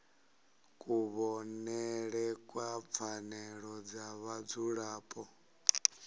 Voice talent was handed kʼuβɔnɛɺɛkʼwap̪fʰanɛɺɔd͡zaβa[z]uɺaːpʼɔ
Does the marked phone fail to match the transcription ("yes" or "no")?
yes